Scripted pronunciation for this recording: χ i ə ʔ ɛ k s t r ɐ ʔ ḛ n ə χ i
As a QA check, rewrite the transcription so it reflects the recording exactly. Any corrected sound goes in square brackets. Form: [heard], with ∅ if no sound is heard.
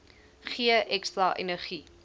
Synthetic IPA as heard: χ i ə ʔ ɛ k s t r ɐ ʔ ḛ n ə χ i